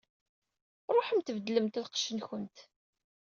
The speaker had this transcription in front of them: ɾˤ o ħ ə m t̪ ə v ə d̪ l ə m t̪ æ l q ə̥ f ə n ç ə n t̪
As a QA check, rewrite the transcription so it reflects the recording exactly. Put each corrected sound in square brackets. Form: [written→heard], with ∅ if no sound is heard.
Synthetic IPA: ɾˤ o ħ ə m t̪ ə v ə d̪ l ə m t̪ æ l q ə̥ [f→ʃ] ə n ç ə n t̪